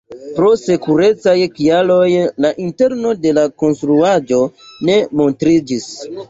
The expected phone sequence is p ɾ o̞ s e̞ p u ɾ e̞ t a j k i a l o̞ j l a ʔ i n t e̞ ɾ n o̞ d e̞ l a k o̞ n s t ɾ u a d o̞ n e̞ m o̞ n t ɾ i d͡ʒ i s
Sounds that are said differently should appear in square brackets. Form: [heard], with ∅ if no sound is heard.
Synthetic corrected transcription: p ɾ o̞ s e̞ [k] u ɾ e̞ [t͡s] a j k i a l o̞ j l a ʔ i n t e̞ ɾ n o̞ d e̞ l a k o̞ n s t ɾ u a [d͡ʒ] o̞ n e̞ m o̞ n t ɾ i d͡ʒ i s